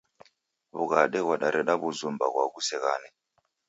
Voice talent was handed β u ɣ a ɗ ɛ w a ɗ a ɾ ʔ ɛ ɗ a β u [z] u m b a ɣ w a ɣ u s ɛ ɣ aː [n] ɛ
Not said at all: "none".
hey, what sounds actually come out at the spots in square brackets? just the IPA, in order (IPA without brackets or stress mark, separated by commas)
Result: z, n